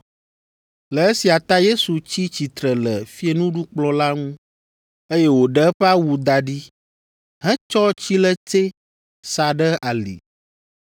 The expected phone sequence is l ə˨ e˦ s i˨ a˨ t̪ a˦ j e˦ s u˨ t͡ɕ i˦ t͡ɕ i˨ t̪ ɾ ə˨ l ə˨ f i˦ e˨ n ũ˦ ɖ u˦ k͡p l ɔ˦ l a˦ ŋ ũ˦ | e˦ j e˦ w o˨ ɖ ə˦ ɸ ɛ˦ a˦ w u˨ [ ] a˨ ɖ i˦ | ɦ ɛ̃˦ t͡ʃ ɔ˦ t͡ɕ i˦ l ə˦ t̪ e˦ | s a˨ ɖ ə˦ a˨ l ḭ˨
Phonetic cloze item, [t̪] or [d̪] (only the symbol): d̪